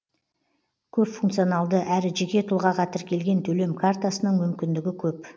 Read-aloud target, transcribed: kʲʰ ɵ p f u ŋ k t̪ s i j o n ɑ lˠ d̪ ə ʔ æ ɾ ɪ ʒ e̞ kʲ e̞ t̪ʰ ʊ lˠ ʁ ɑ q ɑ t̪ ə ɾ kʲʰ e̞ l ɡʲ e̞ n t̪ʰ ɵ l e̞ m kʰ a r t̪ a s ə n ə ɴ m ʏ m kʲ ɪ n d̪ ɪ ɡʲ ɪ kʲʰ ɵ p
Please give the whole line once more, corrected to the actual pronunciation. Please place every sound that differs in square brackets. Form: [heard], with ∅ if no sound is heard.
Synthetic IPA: kʲʰ ɵ p f u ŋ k t̪ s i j o n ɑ lˠ d̪ ə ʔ æ ɾ ɪ ʒ e̞ kʲ e̞ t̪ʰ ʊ lˠ ʁ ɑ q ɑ t̪ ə ɾ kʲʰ e̞ l ɡʲ e̞ n t̪ʰ ɵ l e̞ m kʰ a r t̪ a s ə n ə ɴ m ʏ m kʲ ɪ n d̪ ɪ ɡʲ ɪ kʲʰ ɵ p

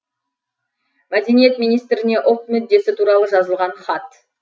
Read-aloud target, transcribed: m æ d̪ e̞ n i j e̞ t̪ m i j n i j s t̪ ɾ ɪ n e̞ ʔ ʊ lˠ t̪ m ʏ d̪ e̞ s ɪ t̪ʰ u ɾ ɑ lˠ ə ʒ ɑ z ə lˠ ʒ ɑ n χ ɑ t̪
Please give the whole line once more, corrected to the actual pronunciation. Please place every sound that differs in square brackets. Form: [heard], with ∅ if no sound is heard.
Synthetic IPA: m æ d̪ e̞ n i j e̞ t̪ m i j n i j s t̪ ɾ ɪ n e̞ ʔ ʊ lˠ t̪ m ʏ [d̪ː] e̞ s ɪ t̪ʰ u ɾ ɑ lˠ ə ʒ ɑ z ə lˠ [ʁ] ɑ n χ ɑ t̪

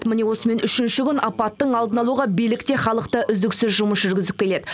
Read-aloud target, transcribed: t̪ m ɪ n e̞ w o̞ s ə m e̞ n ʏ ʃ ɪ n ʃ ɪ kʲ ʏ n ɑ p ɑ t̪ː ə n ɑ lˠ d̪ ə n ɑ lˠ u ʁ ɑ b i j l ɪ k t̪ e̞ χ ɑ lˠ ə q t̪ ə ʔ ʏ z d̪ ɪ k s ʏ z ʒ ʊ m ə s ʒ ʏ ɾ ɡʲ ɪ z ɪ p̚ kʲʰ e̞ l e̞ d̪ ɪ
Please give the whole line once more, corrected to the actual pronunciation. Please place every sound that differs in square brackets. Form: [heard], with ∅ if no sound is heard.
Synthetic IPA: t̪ m ɪ n e̞ w o̞ s ə m e̞ n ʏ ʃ ɪ n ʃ ɪ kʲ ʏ n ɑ p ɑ t̪ː ə [ɴ] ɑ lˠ d̪ ə n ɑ lˠ u ʁ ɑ b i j l ɪ k t̪ e̞ χ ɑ lˠ ə q t̪ ə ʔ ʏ z d̪ ɪ k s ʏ z ʒ ʊ m ə s ʒ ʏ ɾ ɡʲ ɪ z ɪ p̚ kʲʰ e̞ l e̞ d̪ ɪ

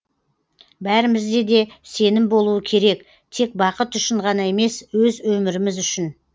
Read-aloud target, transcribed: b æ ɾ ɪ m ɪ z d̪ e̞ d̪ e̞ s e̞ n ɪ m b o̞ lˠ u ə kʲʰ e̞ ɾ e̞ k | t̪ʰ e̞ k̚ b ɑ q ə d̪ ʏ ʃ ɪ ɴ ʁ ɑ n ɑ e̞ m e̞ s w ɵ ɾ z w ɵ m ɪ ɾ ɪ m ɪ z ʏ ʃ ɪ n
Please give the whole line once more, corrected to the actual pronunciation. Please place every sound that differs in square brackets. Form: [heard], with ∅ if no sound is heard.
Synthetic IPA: b æ ɾ ɪ m ɪ z d̪ e̞ d̪ e̞ s e̞ n ɪ m b o̞ lˠ u ə kʲʰ e̞ ɾ e̞ k | t̪ʰ e̞ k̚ b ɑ q ə [t̪] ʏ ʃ ɪ ɴ ʁ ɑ n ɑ e̞ m e̞ s w ɵ [∅] z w ɵ m ɪ ɾ ɪ m ɪ z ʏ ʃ ɪ n

